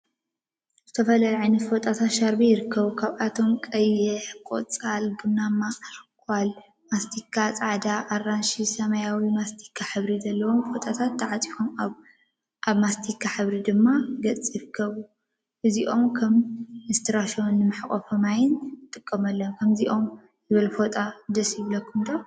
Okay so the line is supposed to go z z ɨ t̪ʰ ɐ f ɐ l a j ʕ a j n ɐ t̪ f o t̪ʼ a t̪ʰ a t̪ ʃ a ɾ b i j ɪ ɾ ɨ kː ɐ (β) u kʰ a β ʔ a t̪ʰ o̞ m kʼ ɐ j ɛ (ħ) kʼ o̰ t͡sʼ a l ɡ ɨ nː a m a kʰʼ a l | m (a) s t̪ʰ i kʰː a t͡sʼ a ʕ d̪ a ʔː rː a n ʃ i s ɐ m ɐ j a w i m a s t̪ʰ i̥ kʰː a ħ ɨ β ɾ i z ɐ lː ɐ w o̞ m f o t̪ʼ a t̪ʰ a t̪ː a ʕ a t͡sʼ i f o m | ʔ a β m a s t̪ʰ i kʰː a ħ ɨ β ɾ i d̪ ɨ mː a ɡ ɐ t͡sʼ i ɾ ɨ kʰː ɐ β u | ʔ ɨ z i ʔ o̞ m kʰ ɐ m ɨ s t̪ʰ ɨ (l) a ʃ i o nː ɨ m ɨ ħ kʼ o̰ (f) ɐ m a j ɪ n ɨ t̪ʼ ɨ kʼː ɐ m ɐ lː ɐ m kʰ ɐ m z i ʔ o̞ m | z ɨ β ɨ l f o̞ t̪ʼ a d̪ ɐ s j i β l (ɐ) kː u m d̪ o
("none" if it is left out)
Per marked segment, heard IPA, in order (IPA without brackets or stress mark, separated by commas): β, ħ, a, ɾ, f, ɐ